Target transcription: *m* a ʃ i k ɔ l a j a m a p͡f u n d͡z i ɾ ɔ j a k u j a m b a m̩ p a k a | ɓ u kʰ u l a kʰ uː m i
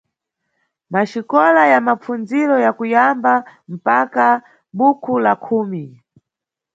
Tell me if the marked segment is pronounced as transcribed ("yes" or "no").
yes